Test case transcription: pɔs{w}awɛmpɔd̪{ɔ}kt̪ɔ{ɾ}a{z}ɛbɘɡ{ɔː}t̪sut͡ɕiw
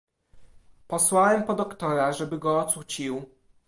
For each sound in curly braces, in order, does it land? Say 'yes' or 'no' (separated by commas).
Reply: yes, yes, yes, no, yes